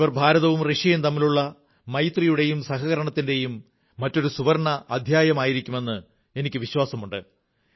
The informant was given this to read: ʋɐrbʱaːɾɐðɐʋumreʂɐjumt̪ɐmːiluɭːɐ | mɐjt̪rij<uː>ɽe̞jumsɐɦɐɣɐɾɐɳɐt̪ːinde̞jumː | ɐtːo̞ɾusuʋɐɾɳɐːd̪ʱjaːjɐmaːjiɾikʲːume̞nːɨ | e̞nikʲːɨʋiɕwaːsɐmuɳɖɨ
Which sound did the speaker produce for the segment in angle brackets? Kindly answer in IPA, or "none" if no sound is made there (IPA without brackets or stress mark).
u